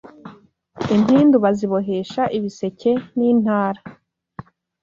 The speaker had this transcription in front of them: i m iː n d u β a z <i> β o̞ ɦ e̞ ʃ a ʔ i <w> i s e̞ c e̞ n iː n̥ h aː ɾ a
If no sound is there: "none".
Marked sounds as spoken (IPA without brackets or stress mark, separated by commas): i, β